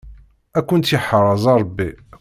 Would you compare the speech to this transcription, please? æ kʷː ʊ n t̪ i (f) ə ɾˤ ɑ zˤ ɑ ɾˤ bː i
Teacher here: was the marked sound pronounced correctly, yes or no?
no